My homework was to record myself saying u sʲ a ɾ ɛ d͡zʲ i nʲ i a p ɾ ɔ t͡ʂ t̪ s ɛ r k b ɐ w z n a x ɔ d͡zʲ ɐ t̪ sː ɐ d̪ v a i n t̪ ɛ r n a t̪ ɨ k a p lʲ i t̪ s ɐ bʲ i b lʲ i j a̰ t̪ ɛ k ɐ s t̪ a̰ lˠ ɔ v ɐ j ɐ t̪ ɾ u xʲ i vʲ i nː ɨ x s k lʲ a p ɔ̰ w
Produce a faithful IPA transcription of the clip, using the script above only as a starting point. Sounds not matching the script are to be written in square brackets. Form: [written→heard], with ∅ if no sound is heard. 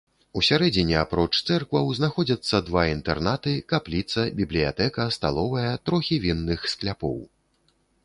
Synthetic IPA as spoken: u sʲ a ɾ ɛ d͡zʲ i nʲ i a p ɾ ɔ t͡ʂ t̪ s ɛ r k [b→v] ɐ w z n a x ɔ d͡zʲ ɐ t̪ sː ɐ d̪ v a i n t̪ ɛ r n a t̪ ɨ k a p lʲ i t̪ s ɐ bʲ i b lʲ i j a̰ t̪ ɛ k ɐ s t̪ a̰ lˠ ɔ v ɐ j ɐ t̪ ɾ [u→ɔ] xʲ i vʲ i nː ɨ x s k lʲ a p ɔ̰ w